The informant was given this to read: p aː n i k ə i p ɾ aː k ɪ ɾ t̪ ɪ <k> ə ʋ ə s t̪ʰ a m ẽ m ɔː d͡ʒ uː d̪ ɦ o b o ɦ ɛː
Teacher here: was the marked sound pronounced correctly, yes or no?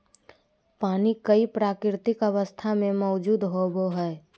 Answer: yes